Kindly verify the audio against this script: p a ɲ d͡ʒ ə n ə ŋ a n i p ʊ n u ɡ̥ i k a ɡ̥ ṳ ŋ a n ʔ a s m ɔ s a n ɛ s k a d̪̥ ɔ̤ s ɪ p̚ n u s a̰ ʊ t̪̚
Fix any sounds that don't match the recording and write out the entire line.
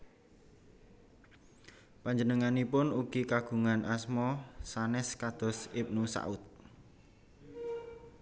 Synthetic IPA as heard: p a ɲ d͡ʒ ə n ə ŋ a n i p ʊ n u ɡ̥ i k a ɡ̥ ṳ ŋ a n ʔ a s m ɔ s a n ɛ s k a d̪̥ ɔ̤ s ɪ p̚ n u s a̰ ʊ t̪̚